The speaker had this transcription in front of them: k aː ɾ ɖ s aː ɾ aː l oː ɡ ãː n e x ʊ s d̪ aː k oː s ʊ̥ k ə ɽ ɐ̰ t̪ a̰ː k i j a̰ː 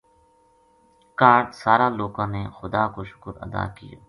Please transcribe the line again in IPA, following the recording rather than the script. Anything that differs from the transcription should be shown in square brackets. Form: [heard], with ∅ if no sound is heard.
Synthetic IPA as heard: k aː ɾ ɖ s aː ɾ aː l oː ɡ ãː n e x ʊ [∅] d̪ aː k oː [ʃ] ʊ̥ k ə [ɾ] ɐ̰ [d̪] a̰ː k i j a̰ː